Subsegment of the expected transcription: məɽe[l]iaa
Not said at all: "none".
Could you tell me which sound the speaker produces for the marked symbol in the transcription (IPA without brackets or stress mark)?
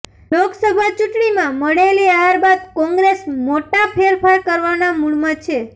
l